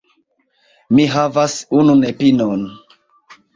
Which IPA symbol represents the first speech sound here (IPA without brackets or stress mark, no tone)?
m